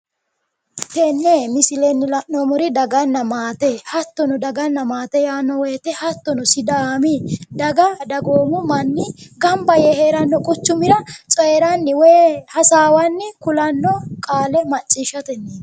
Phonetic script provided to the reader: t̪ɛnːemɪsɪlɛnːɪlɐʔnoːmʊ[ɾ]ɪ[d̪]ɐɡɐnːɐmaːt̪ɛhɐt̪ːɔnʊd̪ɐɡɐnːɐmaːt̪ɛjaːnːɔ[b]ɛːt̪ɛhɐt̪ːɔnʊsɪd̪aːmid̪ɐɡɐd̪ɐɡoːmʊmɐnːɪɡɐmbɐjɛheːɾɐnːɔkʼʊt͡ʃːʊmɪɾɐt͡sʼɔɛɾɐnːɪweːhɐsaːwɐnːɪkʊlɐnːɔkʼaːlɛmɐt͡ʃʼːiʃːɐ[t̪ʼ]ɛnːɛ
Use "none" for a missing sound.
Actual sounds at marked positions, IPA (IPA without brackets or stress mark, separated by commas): ɾ, d̪, w, t̪